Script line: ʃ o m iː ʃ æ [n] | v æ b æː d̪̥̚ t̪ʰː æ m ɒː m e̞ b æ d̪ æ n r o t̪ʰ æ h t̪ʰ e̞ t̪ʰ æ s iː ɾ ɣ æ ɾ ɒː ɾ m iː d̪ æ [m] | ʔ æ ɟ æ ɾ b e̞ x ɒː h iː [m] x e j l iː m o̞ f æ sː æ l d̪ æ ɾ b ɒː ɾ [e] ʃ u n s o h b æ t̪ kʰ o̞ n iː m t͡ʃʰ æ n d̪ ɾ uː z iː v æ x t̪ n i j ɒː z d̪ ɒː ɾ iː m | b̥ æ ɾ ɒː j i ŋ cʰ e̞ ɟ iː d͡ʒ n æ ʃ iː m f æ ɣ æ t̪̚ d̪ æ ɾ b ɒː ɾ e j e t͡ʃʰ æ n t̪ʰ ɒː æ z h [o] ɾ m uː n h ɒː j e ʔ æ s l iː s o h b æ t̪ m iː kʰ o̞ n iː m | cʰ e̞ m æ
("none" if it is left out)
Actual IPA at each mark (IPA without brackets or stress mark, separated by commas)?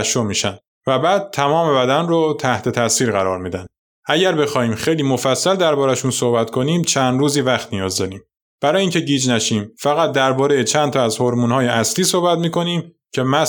n, n, m, æ, o